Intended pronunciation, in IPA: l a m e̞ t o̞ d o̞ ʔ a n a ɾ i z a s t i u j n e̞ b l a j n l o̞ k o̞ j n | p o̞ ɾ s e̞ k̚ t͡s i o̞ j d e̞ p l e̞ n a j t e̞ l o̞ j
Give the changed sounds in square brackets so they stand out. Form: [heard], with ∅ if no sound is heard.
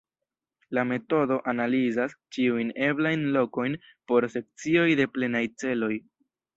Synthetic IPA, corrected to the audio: l a m e̞ t o̞ d o̞ ʔ a n a [l] i z a s [t͡ʃ] i u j n e̞ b l a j n l o̞ k o̞ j n | p o̞ ɾ s e̞ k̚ t͡s i o̞ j d e̞ p l e̞ n a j [t͡s] e̞ l o̞ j